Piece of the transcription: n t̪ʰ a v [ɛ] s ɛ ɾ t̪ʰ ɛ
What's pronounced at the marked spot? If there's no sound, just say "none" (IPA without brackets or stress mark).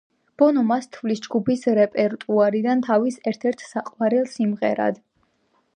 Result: i